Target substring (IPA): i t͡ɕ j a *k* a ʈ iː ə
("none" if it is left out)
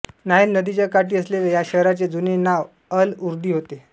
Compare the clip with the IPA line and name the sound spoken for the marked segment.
k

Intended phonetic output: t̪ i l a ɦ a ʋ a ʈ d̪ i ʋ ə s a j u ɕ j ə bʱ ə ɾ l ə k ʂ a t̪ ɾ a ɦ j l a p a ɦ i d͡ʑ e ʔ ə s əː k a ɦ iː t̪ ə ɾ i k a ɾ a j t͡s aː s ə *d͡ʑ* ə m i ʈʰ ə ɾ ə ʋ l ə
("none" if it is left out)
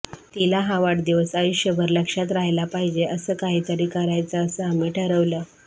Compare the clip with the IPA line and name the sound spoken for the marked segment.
none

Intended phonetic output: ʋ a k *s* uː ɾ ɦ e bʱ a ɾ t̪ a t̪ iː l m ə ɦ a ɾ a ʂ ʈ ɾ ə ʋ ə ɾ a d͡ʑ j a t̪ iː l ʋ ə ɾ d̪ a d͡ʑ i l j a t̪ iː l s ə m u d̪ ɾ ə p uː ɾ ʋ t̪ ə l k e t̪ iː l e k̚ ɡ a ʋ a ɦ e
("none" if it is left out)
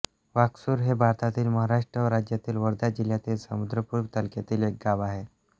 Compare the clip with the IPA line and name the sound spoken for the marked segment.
s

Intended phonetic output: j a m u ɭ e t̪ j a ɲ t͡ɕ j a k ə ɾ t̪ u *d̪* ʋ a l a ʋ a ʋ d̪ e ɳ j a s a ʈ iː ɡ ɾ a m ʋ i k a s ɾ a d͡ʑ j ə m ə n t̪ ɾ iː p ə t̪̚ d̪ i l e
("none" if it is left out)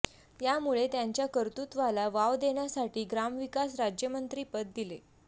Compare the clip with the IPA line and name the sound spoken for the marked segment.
t̪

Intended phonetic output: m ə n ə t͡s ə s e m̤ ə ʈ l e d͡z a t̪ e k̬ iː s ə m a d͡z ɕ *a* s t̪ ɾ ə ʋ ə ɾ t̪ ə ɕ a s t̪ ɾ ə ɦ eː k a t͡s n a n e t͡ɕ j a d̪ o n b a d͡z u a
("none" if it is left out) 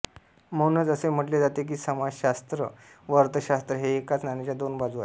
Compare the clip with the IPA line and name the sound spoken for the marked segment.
a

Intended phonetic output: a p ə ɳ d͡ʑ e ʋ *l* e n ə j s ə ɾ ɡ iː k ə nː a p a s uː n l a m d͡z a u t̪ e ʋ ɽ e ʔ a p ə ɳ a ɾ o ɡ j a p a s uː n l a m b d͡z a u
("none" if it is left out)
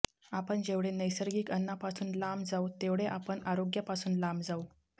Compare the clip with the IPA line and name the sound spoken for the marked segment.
ɽ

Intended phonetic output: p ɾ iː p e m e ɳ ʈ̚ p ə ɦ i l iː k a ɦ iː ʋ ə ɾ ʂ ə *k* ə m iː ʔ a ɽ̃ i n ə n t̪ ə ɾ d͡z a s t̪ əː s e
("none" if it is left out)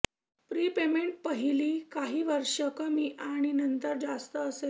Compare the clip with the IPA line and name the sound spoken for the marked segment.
k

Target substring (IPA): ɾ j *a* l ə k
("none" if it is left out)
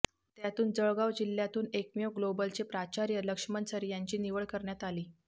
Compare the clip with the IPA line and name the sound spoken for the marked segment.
ə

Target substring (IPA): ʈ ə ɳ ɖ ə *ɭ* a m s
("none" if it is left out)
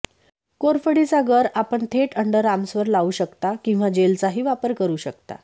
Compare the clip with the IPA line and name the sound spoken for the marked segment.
ɾ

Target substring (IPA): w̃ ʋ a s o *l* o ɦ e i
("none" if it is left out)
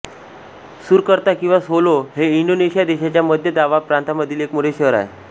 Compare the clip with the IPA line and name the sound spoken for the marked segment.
l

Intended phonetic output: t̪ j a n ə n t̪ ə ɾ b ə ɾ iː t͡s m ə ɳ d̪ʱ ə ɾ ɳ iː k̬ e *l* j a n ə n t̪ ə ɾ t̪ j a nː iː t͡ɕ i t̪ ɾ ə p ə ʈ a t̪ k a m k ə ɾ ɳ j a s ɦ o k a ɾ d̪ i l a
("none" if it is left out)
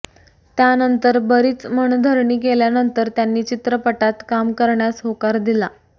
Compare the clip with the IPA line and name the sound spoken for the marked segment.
l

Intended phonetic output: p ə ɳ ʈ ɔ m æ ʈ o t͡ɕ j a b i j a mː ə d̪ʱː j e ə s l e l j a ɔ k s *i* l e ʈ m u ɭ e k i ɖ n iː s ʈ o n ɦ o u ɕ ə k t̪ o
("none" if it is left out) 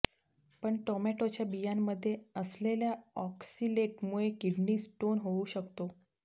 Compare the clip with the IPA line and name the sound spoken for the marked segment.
i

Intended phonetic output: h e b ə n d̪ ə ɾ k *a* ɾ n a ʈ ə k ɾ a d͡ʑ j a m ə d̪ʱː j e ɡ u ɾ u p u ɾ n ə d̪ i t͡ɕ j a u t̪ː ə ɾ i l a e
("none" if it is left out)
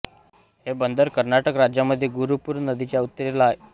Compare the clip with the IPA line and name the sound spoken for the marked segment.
ə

